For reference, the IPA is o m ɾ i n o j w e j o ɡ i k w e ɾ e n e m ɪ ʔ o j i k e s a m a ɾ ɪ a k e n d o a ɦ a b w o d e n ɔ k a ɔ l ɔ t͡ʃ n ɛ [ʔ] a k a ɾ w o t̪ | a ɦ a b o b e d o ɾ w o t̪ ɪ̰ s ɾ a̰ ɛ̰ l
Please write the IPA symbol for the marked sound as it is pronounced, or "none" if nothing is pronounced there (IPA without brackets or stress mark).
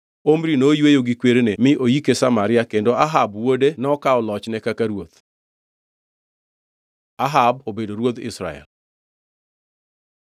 k